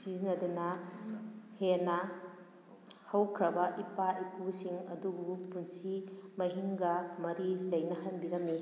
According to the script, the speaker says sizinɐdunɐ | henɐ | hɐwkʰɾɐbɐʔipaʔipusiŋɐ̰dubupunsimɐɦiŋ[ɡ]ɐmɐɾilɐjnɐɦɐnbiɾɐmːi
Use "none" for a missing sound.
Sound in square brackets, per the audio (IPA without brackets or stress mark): ɡ